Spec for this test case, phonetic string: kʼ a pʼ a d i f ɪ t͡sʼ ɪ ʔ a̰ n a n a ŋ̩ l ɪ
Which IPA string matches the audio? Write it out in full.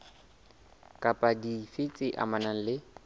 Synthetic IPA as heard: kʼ a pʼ a d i f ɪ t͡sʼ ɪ ʔ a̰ m a n a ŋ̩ l ɪ